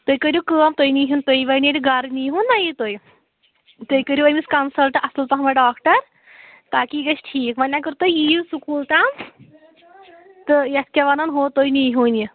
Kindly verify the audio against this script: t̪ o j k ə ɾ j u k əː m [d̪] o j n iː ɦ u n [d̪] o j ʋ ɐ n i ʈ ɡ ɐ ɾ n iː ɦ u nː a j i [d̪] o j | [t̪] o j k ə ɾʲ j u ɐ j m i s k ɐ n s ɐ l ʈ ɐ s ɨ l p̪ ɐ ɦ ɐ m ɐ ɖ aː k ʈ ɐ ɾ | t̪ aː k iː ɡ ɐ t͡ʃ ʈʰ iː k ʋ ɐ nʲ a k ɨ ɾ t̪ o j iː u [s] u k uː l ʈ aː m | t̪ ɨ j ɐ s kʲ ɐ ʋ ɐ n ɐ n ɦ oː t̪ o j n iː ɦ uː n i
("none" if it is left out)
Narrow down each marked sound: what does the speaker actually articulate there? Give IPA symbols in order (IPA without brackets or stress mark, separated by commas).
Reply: t̪, t̪, t̪, t̪, s